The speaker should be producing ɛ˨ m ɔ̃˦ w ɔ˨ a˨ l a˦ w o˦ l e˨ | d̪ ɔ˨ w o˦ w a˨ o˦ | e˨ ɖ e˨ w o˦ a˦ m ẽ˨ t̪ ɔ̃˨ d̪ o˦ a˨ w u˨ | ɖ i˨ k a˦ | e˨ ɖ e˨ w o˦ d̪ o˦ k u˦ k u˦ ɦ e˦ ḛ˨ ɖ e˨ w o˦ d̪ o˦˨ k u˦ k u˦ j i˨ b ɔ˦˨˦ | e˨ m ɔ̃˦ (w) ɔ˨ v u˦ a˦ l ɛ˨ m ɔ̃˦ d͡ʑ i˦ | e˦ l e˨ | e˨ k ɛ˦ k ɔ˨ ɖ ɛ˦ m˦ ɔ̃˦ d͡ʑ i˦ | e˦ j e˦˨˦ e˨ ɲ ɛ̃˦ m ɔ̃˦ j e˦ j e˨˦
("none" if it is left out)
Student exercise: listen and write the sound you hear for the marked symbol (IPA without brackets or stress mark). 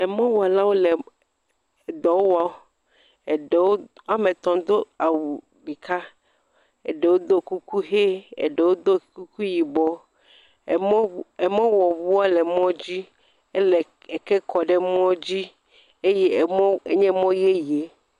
w